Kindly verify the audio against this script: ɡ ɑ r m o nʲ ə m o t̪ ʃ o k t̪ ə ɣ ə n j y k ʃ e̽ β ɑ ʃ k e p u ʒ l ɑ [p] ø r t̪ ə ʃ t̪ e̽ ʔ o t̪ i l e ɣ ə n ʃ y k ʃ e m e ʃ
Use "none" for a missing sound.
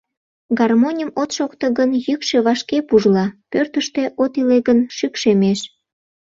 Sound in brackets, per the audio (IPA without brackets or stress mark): p